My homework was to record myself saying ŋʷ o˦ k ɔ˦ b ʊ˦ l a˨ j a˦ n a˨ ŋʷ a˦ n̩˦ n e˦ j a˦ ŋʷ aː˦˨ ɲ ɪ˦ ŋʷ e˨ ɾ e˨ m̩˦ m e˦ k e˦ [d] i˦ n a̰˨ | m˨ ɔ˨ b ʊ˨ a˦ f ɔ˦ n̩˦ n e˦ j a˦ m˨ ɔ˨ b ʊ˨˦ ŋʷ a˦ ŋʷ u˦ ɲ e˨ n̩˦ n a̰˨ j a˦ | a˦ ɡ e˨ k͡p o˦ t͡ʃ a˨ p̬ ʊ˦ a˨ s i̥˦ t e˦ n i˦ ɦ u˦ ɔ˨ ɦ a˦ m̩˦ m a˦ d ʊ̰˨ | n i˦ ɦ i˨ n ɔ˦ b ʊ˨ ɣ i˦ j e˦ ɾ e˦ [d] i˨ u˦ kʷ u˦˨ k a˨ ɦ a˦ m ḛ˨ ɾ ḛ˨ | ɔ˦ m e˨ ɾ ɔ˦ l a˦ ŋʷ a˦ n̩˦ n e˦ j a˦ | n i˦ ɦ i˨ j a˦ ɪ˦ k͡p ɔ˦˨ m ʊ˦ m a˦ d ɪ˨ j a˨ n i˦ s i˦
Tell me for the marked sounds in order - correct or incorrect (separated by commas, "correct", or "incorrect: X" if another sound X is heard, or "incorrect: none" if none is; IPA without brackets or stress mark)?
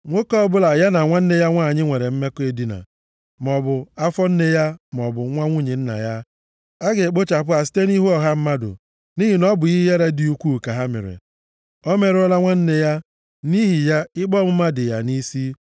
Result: correct, correct